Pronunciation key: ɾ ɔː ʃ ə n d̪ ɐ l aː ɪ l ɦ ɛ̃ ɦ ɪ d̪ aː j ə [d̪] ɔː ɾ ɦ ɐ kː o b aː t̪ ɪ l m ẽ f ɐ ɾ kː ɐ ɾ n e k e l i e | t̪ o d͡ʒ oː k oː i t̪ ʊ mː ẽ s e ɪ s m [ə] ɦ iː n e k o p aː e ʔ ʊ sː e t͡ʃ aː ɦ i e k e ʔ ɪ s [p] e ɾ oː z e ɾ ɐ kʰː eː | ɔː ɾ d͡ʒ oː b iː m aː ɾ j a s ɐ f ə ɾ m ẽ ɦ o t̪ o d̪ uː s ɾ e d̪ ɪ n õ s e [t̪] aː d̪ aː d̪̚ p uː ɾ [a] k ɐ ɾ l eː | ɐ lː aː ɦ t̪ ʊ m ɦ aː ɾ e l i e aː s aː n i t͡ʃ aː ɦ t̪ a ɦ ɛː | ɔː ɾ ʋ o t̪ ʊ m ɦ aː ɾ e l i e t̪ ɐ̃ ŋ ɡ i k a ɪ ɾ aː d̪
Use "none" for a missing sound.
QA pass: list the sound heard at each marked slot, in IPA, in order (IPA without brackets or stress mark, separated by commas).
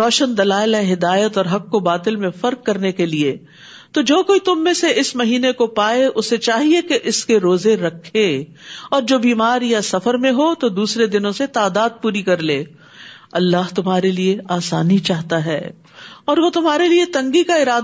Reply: t̪, ɐ, k, t̪, i